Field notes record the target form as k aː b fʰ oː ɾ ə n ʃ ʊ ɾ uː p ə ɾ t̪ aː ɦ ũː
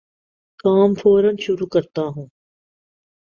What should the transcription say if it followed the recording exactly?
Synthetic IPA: k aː m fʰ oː ɾ ə n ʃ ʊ ɾ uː k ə ɾ t̪ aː ɦ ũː